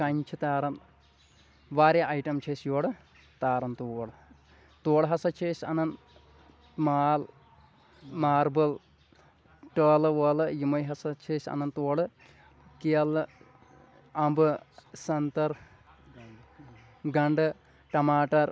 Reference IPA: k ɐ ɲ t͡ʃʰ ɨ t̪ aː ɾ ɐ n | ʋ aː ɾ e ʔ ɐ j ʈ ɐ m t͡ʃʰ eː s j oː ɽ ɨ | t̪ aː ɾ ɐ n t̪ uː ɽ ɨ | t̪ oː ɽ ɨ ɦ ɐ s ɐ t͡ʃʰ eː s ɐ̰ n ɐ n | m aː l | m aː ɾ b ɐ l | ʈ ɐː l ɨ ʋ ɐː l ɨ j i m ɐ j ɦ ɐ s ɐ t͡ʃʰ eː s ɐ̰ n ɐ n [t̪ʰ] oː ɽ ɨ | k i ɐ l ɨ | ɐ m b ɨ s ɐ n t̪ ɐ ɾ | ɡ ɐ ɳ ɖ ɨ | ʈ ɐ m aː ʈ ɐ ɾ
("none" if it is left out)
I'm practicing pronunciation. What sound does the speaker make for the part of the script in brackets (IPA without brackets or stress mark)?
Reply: t̪